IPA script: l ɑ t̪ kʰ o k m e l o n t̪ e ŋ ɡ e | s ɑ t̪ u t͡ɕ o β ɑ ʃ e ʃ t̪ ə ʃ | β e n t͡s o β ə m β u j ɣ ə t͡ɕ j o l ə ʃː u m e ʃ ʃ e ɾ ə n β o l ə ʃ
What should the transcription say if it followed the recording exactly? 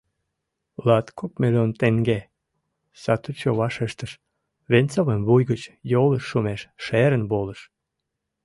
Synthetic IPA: l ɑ t̪ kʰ o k m e l o n t̪ e ŋ ɡ e | s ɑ t̪ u t͡ɕ o β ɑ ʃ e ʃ t̪ ə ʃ | β e n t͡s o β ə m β u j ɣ ə t͡ɕ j o l ə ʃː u m e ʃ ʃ e ɾ ə n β o l ə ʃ